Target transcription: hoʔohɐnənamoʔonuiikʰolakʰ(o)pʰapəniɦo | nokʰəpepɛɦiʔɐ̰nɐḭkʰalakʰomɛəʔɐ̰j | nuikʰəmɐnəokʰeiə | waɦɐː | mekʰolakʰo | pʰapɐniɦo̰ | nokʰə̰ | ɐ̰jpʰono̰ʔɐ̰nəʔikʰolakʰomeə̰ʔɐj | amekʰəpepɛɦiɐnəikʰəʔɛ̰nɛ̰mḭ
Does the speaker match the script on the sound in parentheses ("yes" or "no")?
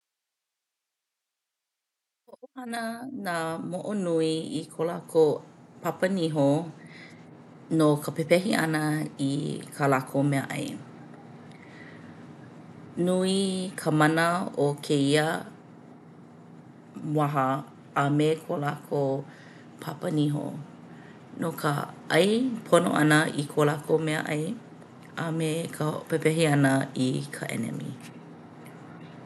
yes